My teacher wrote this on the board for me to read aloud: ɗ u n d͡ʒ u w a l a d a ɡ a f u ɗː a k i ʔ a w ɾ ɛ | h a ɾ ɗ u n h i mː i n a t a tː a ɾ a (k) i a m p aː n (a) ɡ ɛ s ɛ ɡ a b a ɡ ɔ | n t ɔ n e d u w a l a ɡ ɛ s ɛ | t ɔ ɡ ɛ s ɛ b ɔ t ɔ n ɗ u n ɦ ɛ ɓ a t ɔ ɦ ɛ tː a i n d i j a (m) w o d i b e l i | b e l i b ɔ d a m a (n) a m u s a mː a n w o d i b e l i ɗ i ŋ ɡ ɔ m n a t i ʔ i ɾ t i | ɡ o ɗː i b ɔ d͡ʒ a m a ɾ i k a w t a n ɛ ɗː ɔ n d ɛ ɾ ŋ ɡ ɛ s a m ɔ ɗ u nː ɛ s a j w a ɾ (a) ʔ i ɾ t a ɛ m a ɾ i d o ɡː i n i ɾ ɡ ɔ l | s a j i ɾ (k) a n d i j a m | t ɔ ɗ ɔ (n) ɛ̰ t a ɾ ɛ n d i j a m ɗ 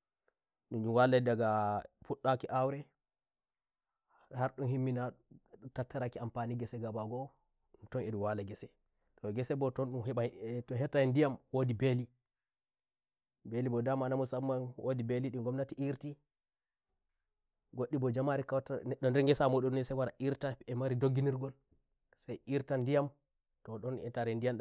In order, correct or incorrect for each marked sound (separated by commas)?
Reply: correct, incorrect, correct, correct, correct, incorrect, correct